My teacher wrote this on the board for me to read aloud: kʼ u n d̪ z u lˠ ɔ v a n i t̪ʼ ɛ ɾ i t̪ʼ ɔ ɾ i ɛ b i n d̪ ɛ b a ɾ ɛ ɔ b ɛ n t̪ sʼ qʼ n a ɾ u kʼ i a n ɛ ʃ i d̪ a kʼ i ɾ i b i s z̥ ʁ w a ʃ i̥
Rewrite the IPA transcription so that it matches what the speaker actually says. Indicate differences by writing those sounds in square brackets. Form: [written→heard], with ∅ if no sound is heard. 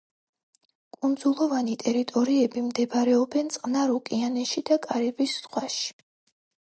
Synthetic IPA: kʼ u n d̪ z u lˠ ɔ v a n i t̪ʼ ɛ ɾ i t̪ʼ ɔ ɾ i ɛ b i [n→m] d̪ ɛ b a ɾ ɛ ɔ b ɛ n t̪ sʼ qʼ n a ɾ u kʼ i a n ɛ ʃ i d̪ a kʼ [i→a] ɾ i b i s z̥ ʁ w a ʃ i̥